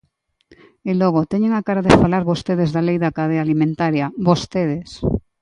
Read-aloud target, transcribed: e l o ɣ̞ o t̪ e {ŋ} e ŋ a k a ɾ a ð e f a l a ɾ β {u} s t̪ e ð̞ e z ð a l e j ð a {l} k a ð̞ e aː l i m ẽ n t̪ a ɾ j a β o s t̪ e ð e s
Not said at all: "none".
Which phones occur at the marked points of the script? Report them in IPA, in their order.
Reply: ɲ, o, none

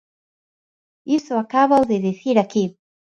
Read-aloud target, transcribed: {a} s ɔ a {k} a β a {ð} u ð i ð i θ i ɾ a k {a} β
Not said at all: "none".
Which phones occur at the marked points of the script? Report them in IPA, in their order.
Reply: i, k, none, i

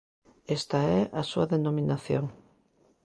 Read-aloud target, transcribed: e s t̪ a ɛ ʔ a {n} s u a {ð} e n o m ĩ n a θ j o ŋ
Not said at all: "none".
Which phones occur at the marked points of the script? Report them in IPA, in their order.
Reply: none, ð

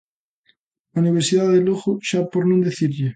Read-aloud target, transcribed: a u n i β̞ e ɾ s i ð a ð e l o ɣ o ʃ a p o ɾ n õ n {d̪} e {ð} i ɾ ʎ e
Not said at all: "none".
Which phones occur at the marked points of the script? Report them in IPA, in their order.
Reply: d̪, θ

